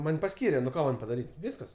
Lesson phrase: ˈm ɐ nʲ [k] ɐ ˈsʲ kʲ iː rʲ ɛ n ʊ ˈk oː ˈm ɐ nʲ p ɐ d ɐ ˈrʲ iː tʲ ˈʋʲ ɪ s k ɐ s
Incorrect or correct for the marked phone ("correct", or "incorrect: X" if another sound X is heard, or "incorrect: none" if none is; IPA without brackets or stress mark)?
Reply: incorrect: p